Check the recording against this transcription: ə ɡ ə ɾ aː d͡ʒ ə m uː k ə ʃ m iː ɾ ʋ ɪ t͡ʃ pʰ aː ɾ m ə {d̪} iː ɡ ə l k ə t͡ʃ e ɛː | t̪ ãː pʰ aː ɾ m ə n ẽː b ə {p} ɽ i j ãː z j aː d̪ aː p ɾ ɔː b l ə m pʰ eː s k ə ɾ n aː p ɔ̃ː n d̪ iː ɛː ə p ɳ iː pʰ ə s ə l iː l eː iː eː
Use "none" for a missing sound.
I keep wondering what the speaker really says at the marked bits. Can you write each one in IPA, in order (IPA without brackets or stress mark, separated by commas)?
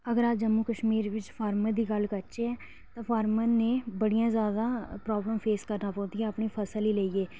d̪, none